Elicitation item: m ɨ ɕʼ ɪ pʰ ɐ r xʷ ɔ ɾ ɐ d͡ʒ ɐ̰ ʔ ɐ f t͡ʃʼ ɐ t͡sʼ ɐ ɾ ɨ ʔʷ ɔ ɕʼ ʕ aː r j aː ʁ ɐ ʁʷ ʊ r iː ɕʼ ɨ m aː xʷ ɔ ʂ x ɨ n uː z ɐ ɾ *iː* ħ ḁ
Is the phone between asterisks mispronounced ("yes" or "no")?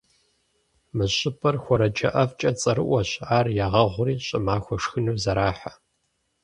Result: yes